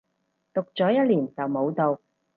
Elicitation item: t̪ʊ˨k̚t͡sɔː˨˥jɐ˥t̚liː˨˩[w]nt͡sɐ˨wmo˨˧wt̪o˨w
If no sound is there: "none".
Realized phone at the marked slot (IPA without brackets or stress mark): none